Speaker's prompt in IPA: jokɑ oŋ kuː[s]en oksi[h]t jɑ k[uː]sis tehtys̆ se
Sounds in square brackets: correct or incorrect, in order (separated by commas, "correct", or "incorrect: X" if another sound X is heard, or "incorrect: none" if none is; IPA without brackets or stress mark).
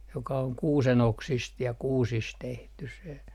correct, incorrect: s, correct